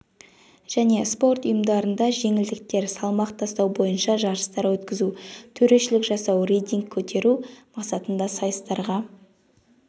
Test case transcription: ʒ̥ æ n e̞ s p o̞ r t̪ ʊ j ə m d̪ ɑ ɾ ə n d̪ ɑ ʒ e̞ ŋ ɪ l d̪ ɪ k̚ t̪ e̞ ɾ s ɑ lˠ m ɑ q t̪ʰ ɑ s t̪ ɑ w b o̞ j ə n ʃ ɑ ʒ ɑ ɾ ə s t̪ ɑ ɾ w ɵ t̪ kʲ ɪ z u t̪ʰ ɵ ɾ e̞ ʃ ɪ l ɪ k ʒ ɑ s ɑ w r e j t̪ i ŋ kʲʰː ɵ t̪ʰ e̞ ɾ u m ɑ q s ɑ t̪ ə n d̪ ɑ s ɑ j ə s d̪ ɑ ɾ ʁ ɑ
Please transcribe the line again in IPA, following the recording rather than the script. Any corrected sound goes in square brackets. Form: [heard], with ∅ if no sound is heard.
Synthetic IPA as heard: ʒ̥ æ n e̞ s p o̞ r t̪ ʊ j ə m d̪ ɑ ɾ ə n d̪ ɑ ʒ e̞ ŋ ɪ l d̪ ɪ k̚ t̪ e̞ ɾ s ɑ lˠ m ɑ q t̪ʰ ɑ s t̪ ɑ w b o̞ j ə n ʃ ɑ ʒ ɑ ɾ ə s t̪ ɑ ɾ w ɵ t̪ kʲ ɪ z u t̪ʰ ɵ ɾ e̞ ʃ ɪ l ɪ k ʒ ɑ s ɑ w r e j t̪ i ŋ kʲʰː ɵ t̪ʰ e̞ ɾ u m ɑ q s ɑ t̪ ə n d̪ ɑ s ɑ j ə s [t̪] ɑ ɾ ʁ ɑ

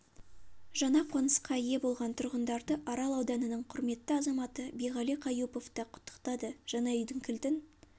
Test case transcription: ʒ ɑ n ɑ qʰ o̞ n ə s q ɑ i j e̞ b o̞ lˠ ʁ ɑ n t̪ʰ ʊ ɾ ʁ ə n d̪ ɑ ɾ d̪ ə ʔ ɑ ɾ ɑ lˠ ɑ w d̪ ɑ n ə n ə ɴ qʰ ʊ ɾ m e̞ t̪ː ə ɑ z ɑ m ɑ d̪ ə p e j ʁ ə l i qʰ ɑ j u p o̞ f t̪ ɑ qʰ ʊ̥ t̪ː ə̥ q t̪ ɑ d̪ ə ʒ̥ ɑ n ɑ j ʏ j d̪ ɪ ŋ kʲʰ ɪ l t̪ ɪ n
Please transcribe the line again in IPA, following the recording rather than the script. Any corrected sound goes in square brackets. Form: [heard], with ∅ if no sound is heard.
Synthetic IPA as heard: ʒ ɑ n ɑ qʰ o̞ n ə s q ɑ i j e̞ b o̞ lˠ ʁ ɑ n t̪ʰ ʊ ɾ ʁ ə n d̪ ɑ ɾ d̪ ə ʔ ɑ ɾ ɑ lˠ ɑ w d̪ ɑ n ə n ə ɴ qʰ ʊ ɾ m e̞ t̪ː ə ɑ z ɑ m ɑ [t̪] ə [b] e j ʁ [ɑ] l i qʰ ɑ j u p o̞ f t̪ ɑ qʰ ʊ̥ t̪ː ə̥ q t̪ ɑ d̪ ə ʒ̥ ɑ n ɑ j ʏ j d̪ ɪ ŋ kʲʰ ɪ l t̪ ɪ n

